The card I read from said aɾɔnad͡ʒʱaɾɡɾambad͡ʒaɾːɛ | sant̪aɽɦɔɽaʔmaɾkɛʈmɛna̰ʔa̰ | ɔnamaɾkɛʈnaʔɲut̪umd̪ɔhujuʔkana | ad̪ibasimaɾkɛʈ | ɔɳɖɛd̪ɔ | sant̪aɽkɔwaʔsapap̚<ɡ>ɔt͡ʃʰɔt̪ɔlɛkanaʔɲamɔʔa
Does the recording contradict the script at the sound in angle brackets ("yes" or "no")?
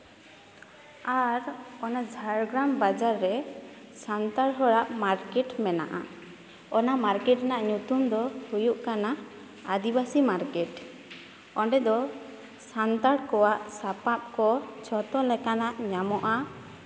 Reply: yes